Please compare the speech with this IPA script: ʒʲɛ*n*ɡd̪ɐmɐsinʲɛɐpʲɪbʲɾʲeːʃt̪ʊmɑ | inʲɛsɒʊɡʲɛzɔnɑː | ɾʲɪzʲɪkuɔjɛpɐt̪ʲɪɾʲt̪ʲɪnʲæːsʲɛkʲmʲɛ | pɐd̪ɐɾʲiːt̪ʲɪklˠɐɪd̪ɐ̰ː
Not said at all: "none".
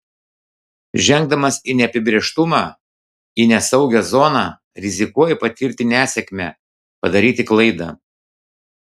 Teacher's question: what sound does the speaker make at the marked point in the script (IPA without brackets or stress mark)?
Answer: ŋ